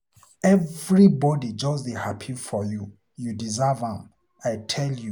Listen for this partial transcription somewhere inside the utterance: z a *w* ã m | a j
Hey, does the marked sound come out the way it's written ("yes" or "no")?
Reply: no